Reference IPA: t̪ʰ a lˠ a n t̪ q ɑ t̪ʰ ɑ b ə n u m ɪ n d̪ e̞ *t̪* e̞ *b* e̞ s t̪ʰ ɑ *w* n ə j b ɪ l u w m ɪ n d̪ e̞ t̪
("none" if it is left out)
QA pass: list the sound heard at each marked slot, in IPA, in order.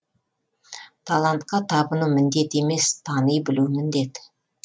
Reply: t̪, m, none

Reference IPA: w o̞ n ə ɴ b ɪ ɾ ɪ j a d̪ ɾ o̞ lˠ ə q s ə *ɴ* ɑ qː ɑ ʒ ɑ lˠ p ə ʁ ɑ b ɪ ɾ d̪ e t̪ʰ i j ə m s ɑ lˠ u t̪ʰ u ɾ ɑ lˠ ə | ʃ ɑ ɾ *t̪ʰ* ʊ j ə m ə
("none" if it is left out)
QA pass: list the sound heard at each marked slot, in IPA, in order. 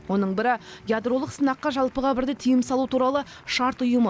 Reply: n, t̪

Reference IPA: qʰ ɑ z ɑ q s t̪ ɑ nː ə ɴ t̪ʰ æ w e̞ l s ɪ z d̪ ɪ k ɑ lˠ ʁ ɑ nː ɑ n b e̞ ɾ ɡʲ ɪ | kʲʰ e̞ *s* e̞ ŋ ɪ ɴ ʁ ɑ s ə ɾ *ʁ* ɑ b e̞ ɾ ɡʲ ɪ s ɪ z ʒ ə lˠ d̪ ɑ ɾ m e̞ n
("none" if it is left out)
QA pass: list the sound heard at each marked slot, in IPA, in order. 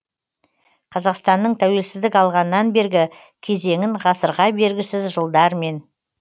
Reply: z, ʁ

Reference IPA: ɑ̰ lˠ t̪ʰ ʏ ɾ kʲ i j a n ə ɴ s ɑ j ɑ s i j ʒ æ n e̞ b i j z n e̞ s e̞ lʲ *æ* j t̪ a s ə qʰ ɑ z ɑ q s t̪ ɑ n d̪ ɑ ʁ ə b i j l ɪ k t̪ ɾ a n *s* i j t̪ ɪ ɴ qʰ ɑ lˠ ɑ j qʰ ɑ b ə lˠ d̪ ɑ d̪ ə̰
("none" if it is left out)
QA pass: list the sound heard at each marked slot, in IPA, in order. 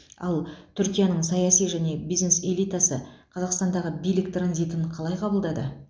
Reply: i, z

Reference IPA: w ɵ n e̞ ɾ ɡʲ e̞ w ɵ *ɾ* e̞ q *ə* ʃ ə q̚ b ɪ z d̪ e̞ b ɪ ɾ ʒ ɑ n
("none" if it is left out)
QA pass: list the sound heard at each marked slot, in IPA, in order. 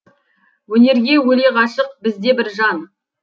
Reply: l, ɑ

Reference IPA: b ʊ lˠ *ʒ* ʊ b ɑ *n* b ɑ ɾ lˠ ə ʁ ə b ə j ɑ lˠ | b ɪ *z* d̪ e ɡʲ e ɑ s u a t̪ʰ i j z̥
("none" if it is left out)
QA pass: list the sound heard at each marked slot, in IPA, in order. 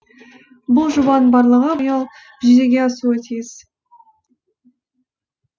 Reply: ʒ, n, ʒ

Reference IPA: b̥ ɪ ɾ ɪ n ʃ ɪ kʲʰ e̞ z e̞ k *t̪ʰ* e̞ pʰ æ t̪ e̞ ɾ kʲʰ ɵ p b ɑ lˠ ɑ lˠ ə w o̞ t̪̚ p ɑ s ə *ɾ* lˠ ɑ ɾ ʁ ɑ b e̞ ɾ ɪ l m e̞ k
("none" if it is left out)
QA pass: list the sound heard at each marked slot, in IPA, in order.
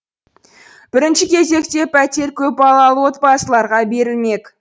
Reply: t̪, none

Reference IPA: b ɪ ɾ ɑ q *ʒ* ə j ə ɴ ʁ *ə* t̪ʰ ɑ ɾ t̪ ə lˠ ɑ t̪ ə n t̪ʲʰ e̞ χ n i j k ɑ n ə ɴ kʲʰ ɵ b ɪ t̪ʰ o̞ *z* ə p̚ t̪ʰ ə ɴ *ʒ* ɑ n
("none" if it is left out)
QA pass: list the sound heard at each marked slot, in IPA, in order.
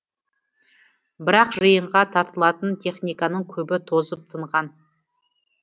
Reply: ʒ, ɑ, z, ʁ

